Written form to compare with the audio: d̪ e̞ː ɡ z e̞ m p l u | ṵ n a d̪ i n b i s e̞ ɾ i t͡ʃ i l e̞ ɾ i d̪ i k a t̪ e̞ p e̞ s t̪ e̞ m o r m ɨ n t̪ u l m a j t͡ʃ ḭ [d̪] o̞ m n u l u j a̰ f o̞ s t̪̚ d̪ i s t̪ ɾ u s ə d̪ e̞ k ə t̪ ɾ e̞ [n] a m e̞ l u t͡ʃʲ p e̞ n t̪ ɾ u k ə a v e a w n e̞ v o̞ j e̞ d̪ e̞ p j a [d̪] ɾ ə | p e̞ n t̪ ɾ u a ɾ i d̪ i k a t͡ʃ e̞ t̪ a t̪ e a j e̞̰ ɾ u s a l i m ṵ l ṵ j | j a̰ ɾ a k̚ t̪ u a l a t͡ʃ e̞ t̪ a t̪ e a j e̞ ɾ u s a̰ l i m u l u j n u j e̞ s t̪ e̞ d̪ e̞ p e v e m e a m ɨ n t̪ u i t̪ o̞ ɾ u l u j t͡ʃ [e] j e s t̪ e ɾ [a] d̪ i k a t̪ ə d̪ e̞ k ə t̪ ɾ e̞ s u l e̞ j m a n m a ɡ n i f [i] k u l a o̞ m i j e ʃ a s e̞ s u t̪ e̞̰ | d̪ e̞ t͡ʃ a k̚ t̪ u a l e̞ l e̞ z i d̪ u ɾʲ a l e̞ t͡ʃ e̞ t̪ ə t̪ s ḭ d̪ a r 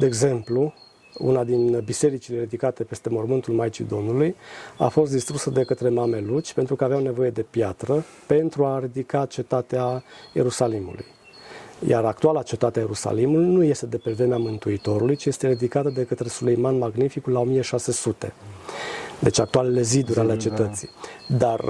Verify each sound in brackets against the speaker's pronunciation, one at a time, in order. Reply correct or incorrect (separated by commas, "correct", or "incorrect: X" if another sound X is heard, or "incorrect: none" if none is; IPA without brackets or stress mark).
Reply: correct, incorrect: m, incorrect: t̪, incorrect: i, incorrect: i, correct